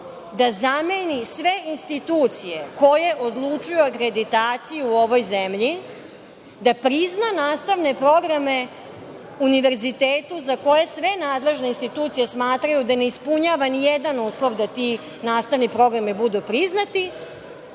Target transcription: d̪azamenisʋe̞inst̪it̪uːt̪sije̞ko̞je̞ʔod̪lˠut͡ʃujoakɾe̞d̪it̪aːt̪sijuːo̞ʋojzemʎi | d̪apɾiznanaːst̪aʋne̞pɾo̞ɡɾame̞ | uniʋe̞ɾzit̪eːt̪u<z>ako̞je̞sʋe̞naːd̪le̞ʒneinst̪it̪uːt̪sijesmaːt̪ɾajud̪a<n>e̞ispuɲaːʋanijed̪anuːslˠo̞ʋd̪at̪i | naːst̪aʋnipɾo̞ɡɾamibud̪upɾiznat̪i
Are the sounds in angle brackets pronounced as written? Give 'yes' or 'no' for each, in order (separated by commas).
yes, yes